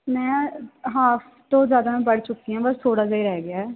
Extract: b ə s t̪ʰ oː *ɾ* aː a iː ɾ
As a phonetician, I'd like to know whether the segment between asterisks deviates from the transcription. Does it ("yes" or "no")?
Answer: yes